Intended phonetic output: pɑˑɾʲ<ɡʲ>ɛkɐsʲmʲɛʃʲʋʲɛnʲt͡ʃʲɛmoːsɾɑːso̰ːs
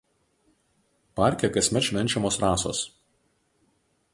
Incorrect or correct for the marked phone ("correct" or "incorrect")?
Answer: incorrect